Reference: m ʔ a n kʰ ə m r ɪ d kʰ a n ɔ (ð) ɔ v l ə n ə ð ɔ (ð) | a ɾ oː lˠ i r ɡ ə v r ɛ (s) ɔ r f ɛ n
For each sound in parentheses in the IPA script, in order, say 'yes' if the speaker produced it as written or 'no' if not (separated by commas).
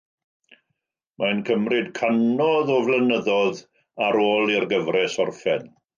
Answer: yes, yes, yes